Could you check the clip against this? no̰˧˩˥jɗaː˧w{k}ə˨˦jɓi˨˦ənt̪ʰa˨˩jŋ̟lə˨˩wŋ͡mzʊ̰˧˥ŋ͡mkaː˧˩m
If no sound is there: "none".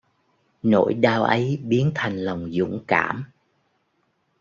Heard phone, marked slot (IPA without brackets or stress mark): ʔ